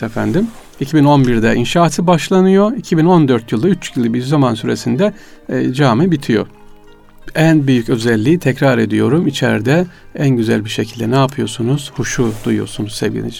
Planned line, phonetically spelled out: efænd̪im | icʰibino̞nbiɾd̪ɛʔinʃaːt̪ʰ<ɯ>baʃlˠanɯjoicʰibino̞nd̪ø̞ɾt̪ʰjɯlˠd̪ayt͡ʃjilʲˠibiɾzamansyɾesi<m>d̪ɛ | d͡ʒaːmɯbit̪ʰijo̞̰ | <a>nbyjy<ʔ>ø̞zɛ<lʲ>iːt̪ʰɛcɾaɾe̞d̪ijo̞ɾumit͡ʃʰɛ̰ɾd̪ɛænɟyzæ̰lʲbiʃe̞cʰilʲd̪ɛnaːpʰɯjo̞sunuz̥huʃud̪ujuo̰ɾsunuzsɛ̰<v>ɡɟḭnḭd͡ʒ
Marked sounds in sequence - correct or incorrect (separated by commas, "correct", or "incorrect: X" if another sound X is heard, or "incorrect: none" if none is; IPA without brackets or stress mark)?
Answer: correct, incorrect: n, incorrect: æ, incorrect: c, incorrect: lʲː, correct